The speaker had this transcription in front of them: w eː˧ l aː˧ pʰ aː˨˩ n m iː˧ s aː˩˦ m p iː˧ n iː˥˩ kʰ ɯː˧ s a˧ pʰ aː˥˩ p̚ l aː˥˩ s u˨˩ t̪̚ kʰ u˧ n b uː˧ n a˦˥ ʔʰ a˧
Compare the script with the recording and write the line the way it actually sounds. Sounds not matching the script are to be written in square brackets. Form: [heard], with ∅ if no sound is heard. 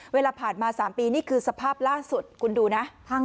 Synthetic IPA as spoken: w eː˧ l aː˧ pʰ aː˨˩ n m [aː˧] s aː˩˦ m p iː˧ n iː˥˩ kʰ ɯː˧ s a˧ pʰ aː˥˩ p̚ l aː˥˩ s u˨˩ t̪̚ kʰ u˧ n [d] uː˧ n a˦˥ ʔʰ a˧